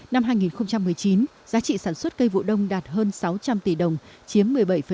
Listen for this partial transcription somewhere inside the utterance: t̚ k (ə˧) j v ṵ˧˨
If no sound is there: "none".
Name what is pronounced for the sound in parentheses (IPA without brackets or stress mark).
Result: ə˧